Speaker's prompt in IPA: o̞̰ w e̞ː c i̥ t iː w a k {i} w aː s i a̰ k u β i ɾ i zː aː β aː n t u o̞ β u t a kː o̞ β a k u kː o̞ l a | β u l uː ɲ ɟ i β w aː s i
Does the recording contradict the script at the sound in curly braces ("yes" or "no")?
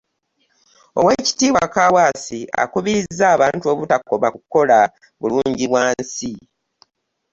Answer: yes